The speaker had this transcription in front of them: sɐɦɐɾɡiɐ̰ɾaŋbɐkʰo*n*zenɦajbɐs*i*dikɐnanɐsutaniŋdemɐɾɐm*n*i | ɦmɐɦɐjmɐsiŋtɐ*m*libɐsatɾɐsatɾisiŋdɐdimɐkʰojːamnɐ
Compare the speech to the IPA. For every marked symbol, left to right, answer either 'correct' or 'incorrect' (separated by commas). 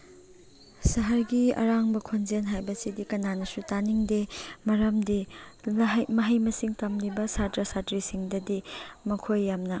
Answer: correct, correct, incorrect, correct